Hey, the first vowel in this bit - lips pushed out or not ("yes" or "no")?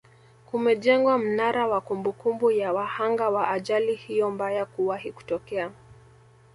yes